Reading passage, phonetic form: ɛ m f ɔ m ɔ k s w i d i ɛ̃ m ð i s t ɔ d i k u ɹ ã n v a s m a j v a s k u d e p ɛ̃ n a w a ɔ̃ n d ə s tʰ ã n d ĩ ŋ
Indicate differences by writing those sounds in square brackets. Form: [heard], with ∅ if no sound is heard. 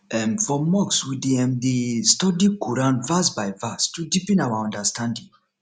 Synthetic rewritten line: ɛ m f ɔ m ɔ k s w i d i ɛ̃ m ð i s t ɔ d i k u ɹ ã n v a s [b] a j v a s [t] u d [i] p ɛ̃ n a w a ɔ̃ n d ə s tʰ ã n d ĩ ŋ